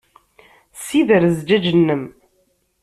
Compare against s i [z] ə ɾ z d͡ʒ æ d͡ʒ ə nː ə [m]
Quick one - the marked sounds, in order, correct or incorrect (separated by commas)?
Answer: incorrect, correct